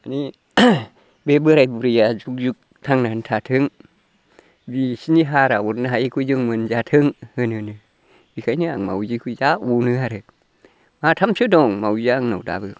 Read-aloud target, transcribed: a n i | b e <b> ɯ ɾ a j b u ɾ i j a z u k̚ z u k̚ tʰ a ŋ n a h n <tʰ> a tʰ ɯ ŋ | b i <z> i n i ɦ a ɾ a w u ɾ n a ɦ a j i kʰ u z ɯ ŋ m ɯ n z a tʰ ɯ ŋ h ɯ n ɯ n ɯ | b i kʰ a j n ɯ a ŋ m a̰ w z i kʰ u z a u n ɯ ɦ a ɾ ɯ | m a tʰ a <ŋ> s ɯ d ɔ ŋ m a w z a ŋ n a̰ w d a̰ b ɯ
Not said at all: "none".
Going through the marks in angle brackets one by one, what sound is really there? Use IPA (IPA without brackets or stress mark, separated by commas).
b, tʰ, s, m